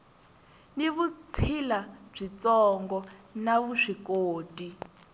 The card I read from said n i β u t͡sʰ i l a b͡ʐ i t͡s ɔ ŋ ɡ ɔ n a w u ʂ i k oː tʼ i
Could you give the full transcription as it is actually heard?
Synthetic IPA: n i β u t͡sʰ i l a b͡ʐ i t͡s ɔ ŋ ɡ ɔ n a β u ʂ i k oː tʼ i